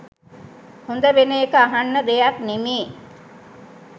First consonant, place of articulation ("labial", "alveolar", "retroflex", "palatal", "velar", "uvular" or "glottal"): glottal